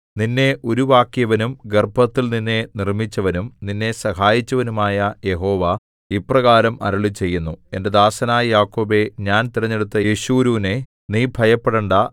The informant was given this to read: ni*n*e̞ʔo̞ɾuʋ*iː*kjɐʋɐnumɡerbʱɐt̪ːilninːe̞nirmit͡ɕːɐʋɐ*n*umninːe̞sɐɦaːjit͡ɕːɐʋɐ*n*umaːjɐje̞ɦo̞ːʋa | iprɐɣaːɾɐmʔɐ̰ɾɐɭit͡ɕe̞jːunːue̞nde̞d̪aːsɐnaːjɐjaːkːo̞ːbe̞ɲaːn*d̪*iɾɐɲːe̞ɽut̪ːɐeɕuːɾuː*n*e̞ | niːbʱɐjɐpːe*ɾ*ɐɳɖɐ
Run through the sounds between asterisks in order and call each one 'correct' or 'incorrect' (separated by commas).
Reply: incorrect, incorrect, correct, correct, incorrect, correct, incorrect